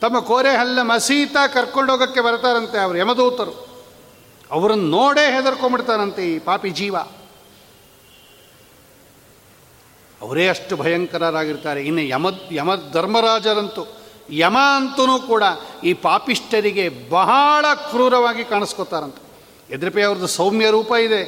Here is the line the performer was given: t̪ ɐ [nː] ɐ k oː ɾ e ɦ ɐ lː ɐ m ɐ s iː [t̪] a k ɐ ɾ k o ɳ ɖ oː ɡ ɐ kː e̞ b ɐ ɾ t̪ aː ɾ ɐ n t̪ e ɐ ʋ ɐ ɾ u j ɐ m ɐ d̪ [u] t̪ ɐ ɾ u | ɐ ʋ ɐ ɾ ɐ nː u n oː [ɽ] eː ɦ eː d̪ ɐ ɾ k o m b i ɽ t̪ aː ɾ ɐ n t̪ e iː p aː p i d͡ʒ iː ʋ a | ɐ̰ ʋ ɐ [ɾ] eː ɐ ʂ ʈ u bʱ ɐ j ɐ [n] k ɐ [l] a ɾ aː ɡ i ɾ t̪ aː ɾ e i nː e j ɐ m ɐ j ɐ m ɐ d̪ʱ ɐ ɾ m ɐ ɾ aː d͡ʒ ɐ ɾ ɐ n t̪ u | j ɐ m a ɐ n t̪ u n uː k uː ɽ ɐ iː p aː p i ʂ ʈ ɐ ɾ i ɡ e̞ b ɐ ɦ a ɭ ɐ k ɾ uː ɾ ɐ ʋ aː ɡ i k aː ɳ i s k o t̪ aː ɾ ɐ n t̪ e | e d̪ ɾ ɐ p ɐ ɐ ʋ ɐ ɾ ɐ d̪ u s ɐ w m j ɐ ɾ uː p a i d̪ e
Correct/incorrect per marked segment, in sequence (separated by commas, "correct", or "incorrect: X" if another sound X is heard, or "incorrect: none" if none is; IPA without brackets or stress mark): incorrect: mː, correct, incorrect: uː, correct, correct, incorrect: ŋ, incorrect: ɾ